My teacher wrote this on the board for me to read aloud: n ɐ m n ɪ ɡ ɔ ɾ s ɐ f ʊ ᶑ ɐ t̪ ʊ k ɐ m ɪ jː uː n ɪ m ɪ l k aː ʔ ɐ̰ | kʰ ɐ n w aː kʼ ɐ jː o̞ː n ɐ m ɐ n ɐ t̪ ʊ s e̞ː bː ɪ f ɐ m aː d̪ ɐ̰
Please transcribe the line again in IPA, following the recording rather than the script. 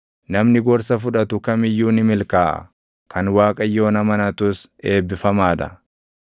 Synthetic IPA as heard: n ɐ m n ɪ ɡ ɔ ɾ s ɐ f ʊ ᶑ ɐ t̪ ʊ k ɐ m ɪ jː uː n ɪ m ɪ l k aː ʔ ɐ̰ | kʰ ɐ n w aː kʼ ɐ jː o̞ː n ɐ m ɐ n ɐ t̪ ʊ s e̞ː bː ɪ f ɐ m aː d̪ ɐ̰